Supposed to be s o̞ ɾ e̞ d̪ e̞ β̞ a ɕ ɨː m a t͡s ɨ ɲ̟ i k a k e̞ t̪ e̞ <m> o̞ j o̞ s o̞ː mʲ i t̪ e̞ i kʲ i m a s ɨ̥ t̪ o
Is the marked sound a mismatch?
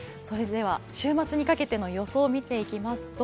yes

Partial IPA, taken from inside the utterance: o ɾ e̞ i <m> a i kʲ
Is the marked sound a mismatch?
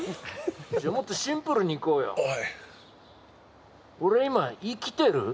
no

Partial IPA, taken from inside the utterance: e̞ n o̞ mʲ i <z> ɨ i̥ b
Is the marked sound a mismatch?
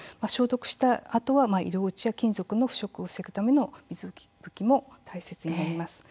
no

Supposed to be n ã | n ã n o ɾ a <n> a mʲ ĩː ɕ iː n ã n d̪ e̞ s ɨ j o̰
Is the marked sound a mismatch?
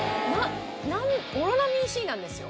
no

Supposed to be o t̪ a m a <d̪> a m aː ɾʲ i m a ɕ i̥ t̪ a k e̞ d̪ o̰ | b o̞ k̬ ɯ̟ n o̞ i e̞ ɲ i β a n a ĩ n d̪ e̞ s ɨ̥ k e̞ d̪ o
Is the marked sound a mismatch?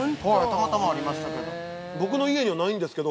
yes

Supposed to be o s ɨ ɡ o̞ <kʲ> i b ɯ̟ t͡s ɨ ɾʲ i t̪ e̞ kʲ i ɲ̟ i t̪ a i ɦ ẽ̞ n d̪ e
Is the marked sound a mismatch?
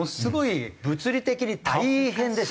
yes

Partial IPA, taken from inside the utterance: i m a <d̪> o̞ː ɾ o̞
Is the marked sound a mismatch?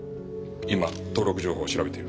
yes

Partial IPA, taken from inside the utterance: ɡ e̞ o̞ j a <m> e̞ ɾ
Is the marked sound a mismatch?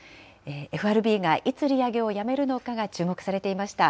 no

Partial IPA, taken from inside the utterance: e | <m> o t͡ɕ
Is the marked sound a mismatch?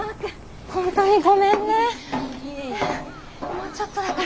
no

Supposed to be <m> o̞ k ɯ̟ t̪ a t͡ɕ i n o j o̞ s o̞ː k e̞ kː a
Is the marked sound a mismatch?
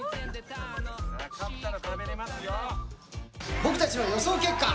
yes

